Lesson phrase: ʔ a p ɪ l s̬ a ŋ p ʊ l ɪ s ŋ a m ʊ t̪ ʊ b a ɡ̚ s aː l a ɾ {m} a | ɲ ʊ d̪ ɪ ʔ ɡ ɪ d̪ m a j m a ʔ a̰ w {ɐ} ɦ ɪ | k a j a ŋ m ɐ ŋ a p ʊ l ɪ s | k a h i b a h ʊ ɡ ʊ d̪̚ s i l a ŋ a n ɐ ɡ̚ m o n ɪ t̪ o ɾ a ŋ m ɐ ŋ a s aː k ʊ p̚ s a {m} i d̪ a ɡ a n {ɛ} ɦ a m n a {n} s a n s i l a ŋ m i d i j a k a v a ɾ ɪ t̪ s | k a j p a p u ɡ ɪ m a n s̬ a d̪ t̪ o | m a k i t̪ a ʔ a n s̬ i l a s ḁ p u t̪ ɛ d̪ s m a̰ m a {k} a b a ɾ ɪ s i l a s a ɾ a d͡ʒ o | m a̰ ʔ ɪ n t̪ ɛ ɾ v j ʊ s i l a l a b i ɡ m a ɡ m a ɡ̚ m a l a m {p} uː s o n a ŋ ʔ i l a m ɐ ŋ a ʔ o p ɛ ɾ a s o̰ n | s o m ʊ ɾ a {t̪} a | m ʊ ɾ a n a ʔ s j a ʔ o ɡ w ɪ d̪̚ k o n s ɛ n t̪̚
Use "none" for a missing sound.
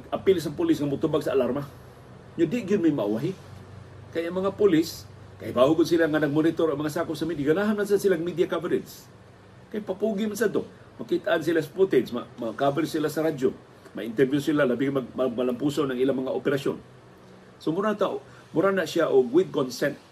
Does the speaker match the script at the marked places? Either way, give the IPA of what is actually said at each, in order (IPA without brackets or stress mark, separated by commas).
m, a, m, a, n, k, p, t̪